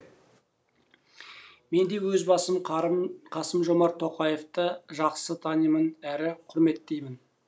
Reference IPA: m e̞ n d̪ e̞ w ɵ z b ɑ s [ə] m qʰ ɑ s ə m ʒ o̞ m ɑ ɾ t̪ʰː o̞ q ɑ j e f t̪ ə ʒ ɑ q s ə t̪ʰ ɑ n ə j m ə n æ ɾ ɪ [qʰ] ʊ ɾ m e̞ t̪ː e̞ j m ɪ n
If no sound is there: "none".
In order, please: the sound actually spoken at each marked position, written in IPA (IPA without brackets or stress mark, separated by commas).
ə, qʰ